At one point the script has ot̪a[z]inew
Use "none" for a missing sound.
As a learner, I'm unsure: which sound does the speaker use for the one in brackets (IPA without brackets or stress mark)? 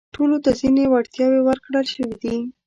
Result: z